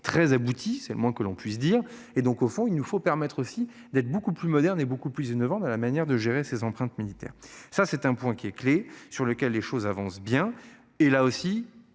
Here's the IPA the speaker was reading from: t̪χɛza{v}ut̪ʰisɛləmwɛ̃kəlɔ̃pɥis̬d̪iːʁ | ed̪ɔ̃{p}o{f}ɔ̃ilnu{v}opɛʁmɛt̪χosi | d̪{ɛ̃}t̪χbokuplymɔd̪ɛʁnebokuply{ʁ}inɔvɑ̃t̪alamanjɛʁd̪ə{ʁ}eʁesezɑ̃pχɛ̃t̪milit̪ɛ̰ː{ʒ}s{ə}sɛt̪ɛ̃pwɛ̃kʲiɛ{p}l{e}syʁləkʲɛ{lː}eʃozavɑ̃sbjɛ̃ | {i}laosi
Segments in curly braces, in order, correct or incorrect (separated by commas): incorrect, incorrect, correct, incorrect, incorrect, incorrect, incorrect, incorrect, incorrect, incorrect, correct, correct, incorrect